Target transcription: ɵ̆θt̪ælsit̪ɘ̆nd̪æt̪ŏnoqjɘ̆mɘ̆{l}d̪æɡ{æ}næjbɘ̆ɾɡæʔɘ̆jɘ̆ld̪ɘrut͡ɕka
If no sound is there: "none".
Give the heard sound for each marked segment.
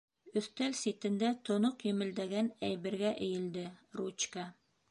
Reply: l, æ

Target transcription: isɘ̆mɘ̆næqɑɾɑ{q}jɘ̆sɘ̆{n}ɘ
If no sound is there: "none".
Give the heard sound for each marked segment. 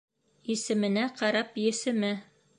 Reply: p, m

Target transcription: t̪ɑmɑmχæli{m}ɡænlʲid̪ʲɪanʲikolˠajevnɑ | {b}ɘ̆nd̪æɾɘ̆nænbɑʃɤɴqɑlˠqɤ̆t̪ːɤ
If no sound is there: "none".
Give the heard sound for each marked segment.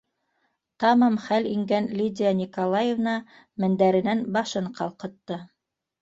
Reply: ŋ, m

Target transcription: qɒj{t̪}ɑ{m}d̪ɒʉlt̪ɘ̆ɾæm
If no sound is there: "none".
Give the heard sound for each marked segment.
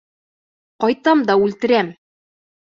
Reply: t̪, m

